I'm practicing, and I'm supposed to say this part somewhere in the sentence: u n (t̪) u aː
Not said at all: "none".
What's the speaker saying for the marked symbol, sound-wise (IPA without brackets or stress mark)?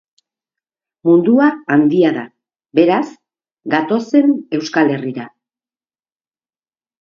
d̪